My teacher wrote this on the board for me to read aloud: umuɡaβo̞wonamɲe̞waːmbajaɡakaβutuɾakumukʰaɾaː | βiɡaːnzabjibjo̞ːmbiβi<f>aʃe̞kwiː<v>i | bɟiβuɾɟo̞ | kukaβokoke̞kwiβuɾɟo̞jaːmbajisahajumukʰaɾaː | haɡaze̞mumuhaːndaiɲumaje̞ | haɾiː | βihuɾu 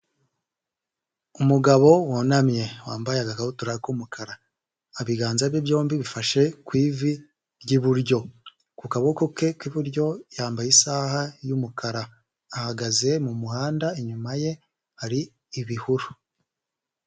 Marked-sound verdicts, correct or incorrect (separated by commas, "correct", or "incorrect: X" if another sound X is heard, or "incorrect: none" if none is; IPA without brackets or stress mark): correct, correct